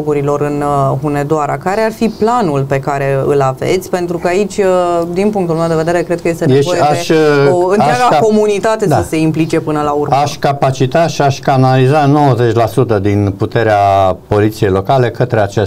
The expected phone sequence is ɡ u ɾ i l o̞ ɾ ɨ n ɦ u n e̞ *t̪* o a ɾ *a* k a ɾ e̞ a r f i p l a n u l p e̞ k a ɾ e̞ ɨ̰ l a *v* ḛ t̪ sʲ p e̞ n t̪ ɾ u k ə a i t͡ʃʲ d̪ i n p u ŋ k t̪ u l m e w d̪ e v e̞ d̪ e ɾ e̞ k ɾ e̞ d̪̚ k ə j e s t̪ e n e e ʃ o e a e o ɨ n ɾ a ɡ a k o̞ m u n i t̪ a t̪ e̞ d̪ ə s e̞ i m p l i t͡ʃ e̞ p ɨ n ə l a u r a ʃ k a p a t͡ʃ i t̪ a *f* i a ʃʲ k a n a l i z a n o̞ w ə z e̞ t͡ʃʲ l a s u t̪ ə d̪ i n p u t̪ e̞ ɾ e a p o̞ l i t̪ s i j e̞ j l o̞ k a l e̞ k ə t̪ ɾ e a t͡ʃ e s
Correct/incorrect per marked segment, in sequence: incorrect, correct, correct, incorrect

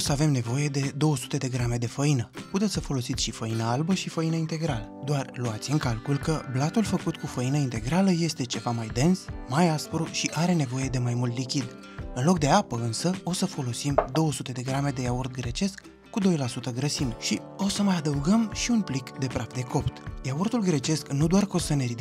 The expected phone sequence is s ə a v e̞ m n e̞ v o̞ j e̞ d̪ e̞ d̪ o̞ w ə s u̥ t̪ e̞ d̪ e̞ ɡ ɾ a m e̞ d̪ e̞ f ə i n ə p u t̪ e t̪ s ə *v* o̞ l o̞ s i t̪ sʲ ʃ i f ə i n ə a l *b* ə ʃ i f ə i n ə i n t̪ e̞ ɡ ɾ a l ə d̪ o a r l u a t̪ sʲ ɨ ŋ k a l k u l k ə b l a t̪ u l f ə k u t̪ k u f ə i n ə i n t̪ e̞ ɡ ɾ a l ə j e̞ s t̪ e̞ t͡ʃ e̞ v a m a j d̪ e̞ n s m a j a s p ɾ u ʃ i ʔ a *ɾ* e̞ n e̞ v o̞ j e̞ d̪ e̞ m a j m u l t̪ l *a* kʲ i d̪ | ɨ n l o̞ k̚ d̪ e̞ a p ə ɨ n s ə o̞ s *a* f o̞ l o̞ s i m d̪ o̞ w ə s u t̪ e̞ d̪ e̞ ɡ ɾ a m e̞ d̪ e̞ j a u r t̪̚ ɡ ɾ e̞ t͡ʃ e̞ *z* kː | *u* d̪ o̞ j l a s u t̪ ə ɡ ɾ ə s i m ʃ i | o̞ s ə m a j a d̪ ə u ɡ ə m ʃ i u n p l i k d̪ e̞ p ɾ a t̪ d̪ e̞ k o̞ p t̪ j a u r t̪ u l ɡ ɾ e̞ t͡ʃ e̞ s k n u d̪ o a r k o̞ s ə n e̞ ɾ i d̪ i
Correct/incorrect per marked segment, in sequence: incorrect, correct, correct, incorrect, incorrect, incorrect, correct

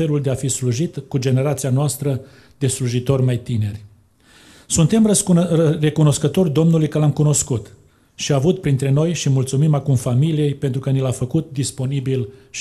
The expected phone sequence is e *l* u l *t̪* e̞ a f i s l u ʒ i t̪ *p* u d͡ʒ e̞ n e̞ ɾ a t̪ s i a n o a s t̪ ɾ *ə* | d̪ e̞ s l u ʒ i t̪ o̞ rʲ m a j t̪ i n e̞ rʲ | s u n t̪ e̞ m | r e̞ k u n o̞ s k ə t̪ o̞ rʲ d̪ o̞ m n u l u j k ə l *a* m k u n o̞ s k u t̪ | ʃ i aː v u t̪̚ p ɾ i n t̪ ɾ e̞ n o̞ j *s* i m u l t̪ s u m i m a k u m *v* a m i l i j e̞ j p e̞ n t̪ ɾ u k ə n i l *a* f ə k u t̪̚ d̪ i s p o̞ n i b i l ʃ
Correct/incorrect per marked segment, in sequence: correct, incorrect, incorrect, correct, correct, incorrect, incorrect, correct

